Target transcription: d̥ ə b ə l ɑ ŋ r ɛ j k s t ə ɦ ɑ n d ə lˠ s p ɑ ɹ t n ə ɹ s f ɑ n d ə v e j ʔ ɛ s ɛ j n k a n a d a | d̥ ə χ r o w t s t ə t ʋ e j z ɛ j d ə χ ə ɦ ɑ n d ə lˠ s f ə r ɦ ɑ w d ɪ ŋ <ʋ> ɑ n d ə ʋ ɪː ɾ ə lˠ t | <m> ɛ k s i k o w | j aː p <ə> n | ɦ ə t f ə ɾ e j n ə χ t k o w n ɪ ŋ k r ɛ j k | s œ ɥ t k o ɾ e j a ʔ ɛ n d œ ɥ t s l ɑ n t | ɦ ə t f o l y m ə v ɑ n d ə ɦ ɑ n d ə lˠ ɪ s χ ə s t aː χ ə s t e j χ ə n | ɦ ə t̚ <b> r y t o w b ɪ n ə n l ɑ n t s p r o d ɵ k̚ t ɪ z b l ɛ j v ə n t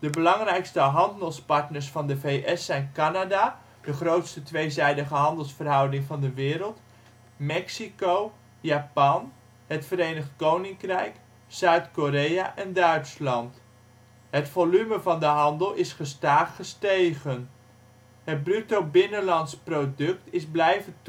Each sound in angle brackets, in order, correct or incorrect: incorrect: v, correct, incorrect: ɑ, correct

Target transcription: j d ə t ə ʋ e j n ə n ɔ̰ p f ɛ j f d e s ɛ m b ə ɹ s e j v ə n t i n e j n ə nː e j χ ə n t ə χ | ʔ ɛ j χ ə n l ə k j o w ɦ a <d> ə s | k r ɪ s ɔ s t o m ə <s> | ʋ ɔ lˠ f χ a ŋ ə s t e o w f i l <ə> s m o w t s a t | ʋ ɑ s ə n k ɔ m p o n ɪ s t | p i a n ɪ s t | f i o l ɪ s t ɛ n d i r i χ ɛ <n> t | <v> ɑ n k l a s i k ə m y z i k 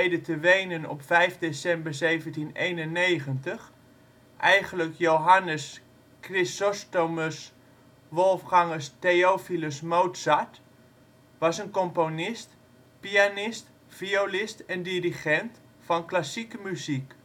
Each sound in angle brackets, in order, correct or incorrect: incorrect: n, correct, correct, correct, incorrect: f

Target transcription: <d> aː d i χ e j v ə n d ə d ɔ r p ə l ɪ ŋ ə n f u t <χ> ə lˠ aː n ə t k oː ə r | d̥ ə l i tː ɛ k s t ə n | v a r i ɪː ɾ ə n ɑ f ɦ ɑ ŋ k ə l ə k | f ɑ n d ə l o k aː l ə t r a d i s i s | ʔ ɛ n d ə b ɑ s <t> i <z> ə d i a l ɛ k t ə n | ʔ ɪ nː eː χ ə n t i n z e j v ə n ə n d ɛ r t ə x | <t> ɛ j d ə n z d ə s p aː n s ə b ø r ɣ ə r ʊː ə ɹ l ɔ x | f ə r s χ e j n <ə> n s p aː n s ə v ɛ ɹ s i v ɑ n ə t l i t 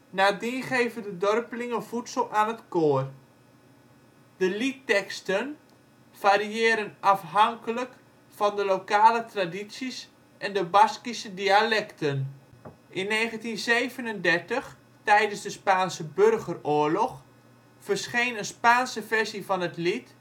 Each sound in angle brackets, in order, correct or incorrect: incorrect: n, incorrect: s, incorrect: k, incorrect: s, correct, correct

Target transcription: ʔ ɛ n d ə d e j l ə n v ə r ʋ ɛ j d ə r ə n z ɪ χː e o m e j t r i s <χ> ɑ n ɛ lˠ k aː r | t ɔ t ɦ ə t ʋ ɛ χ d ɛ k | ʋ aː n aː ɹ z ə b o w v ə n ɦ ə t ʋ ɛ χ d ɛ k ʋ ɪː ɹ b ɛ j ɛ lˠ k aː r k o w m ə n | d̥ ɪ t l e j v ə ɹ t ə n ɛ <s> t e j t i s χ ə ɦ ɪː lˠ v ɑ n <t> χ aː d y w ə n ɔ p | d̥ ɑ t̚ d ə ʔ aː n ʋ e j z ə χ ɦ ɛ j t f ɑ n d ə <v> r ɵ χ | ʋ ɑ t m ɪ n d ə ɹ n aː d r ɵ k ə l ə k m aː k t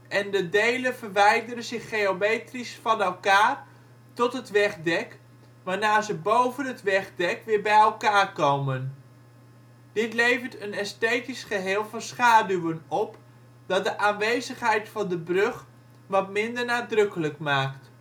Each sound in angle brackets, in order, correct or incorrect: incorrect: f, correct, incorrect: s, incorrect: b

